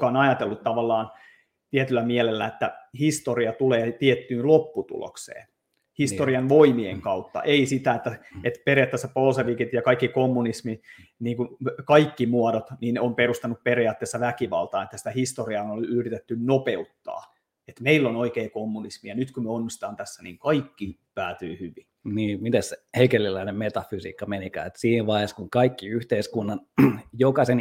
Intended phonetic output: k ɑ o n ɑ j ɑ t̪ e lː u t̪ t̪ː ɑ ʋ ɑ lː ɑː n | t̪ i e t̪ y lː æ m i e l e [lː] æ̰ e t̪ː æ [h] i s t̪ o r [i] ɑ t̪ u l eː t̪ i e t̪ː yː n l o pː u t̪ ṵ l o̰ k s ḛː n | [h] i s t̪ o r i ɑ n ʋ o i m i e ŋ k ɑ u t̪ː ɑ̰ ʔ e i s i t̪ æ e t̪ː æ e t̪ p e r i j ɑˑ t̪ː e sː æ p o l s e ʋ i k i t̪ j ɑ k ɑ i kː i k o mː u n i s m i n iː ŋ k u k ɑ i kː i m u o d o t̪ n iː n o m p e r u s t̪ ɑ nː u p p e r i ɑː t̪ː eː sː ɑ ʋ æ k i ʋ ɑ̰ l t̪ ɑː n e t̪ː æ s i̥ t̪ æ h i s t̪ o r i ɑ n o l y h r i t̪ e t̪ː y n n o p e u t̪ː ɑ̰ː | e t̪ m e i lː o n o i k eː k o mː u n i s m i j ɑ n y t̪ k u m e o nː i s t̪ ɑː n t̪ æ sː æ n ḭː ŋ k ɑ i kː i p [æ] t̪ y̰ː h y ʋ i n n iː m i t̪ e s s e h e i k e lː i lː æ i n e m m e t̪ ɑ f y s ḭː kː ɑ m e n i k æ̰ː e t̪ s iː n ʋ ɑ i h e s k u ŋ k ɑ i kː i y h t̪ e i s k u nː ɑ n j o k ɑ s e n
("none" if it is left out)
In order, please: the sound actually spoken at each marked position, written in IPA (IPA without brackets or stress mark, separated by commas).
lː, h, i, h, æː